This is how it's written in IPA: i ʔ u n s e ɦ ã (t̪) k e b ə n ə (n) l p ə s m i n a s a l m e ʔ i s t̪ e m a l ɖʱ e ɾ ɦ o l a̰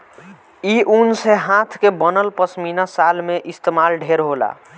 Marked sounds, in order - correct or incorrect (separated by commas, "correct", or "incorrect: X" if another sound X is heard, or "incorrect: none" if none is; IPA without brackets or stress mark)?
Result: incorrect: t̪ʰ, incorrect: none